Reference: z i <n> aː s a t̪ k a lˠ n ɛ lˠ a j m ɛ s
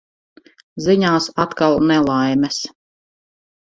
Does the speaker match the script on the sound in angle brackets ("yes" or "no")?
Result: no